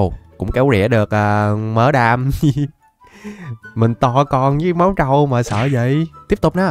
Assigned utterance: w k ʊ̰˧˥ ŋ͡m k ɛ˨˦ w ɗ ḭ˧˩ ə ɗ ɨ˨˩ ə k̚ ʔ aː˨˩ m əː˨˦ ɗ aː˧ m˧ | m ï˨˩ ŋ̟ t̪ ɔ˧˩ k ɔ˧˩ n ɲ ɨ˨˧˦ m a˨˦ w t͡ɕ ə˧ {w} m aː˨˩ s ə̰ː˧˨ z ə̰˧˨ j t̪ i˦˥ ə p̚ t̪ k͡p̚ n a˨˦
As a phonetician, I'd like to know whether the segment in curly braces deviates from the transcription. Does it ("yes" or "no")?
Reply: no